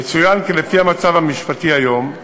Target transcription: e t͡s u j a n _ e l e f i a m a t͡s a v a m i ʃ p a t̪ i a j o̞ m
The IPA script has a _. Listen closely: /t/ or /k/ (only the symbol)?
k